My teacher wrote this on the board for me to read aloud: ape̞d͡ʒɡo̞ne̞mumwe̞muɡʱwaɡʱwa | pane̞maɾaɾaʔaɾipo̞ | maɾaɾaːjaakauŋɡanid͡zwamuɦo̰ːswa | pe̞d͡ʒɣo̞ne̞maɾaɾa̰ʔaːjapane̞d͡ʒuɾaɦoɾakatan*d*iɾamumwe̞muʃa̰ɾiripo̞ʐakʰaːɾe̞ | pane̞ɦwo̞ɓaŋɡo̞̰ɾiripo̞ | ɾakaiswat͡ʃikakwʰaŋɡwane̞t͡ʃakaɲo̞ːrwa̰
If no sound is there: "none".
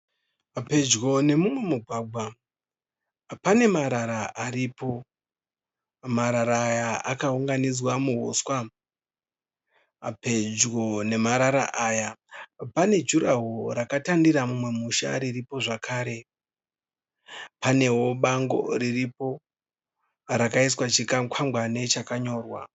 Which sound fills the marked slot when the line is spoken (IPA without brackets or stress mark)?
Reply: d